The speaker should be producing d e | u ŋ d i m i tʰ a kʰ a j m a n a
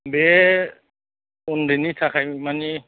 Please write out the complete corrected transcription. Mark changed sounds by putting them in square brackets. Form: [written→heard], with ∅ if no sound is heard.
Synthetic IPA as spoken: [d→b] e | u [ŋ→n] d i [m→n] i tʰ a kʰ a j m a n [a→i]